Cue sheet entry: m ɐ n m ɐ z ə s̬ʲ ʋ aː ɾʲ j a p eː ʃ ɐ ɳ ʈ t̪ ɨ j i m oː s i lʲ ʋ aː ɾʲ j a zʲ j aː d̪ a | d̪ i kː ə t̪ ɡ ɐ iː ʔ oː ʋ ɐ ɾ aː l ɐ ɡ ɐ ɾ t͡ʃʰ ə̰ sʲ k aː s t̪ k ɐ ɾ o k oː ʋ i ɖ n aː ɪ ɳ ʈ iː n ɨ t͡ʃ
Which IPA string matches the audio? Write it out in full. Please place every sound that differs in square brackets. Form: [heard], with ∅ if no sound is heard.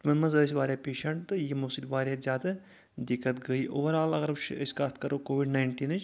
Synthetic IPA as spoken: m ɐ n m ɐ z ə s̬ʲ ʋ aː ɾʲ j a p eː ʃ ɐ ɳ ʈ t̪ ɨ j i m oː s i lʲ ʋ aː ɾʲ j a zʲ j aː d̪ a | d̪ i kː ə t̪ ɡ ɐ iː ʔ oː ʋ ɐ ɾ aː l ɐ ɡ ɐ ɾ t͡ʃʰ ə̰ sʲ k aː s t̪ k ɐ ɾ o k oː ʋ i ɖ n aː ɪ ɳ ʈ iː n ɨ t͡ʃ